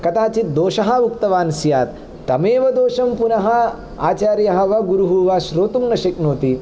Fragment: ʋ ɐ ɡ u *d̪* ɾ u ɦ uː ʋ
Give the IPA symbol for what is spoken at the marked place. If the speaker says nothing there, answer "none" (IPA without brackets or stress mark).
none